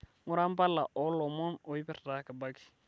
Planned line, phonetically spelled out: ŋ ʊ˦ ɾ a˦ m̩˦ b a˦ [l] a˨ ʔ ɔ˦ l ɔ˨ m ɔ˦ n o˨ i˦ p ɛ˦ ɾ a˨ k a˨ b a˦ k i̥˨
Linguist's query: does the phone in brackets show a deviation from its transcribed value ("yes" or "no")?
no